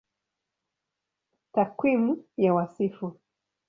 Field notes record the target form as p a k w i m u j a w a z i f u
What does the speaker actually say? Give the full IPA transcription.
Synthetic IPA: t a k w i m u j a w a s i f u

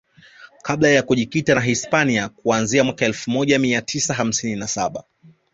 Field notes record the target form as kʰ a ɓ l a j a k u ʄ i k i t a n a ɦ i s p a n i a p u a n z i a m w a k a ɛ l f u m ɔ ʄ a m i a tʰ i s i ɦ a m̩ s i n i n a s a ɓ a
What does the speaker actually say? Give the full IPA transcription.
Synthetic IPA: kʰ a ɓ l a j a k u ʄ i k i t a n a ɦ i s p a n i a k u a n z i a m w a k a ɛ l f u m ɔ ʄ a m i a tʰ i s a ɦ a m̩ s i n i n a s a ɓ a

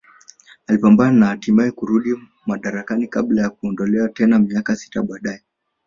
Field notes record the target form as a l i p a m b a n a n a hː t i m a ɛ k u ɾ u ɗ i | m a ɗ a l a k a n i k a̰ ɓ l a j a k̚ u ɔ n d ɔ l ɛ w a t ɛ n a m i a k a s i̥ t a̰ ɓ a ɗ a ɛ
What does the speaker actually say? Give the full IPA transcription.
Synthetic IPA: a l i p a m b a n a n a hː t i m a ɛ k u ɾ u ɗ i | m a ɗ a ɾ a k a n i k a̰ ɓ l a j a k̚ u ɔ n d ɔ l ɛ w a t ɛ n a m i a k a s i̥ t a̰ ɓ a ɗ a ɛ

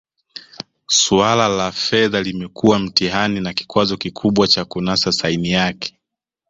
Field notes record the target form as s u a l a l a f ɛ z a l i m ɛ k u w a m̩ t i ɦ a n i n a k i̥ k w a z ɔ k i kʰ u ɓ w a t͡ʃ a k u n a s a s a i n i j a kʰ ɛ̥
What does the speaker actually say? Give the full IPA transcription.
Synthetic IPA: s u a l a l a f ɛ ð a l i m ɛ k u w a m̩ t i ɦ a n i n a k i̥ k w a z ɔ k i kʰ u ɓ w a t͡ʃ a k u n a s a s a i n i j a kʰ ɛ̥

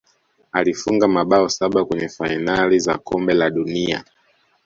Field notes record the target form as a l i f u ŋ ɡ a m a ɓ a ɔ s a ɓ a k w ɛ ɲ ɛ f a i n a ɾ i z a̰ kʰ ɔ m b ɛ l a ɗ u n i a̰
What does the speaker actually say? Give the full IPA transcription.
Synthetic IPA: a l i f u ŋ ɡ a m a ɓ a ɔ s a ɓ a k w ɛ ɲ ɛ f a i n a l i z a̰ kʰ ɔ m b ɛ l a ɗ u n i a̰

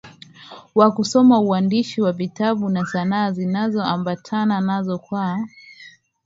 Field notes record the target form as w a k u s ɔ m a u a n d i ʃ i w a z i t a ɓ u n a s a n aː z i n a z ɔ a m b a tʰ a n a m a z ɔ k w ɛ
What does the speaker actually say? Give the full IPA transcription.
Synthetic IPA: w a k u s ɔ m a u a n d i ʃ i w a v i t a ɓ u n a s a n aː z i n a z ɔ a m b a tʰ a n a n a z ɔ k w a

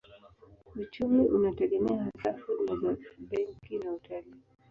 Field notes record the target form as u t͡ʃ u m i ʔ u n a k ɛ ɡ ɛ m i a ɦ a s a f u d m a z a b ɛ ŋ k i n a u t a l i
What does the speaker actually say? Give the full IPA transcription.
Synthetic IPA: u t͡ʃ u m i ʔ u n a t ɛ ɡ ɛ m ɛ a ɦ a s a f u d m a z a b ɛ ŋ k i n a u t a l i

